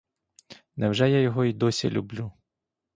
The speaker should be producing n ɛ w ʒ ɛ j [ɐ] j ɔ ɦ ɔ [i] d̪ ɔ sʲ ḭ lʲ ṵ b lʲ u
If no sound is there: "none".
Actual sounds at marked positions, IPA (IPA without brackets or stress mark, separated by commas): a, i